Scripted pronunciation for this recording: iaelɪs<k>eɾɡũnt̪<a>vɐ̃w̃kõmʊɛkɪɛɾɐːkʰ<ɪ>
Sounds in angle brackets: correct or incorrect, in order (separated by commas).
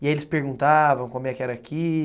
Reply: incorrect, correct, incorrect